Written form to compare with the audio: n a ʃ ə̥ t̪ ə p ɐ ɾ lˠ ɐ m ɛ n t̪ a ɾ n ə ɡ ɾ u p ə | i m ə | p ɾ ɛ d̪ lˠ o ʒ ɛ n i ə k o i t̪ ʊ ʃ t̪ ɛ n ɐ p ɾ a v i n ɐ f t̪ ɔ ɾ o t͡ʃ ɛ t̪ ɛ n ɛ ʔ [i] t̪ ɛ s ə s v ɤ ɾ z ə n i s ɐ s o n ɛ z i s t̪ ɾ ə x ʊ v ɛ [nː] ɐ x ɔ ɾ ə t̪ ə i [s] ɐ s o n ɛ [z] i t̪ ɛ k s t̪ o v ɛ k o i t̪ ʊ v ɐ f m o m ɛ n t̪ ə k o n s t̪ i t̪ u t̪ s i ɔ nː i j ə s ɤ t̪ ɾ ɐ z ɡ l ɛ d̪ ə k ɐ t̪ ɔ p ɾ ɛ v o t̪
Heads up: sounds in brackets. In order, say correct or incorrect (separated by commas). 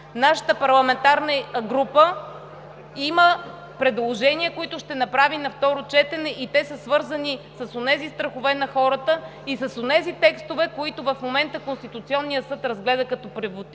correct, incorrect, correct, correct